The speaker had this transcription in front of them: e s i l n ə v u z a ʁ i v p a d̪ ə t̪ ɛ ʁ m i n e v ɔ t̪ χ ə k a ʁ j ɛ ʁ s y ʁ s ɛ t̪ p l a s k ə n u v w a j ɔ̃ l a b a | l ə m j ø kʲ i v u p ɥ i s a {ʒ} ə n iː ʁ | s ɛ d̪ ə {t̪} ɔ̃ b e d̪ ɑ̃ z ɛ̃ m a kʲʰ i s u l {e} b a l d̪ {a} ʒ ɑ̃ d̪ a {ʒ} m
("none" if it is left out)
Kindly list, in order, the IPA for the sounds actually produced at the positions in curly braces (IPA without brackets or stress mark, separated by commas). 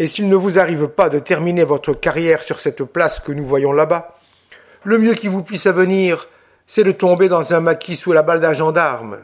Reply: v, t̪, a, a, ʁ